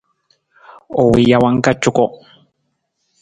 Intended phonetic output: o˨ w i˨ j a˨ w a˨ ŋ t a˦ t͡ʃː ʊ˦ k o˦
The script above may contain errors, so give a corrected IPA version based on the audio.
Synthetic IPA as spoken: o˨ w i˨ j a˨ w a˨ ŋ k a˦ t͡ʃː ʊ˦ k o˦